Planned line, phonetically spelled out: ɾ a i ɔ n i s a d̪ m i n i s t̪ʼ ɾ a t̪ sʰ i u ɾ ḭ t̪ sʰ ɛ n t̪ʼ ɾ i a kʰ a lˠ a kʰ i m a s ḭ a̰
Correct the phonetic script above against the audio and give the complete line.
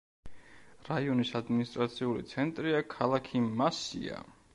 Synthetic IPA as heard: ɾ a i ɔ n i s a d̪ m i n i s t̪ʼ ɾ a t̪ sʰ i u l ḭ t̪ sʰ ɛ n t̪ʼ ɾ i a kʰ a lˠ a kʰ i m a s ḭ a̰